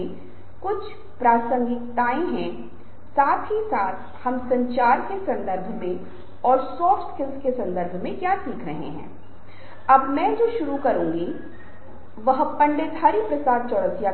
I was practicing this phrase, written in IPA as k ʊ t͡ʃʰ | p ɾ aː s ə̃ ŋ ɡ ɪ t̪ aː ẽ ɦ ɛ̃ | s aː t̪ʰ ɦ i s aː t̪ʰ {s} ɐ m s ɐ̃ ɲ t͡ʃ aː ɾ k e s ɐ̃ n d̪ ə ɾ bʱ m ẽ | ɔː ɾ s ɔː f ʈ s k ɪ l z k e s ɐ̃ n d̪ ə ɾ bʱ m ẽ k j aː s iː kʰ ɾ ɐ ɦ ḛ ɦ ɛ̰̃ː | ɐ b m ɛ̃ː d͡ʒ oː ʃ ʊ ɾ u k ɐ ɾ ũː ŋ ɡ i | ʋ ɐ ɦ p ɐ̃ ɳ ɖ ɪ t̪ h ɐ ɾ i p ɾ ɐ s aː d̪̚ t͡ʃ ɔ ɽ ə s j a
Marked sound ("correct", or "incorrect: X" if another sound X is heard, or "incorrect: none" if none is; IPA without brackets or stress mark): incorrect: h